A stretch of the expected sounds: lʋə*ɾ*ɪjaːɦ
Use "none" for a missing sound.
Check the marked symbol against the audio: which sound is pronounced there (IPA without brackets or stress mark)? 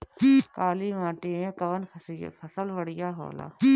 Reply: ɽ